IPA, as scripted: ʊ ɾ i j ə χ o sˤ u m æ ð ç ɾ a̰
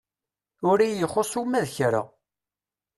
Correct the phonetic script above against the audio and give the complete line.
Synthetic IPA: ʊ ɾ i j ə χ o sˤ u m æ ð ç ɾ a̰